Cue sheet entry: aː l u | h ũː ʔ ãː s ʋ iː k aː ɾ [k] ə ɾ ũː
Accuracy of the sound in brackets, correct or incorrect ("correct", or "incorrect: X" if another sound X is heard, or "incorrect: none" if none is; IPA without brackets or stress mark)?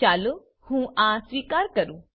correct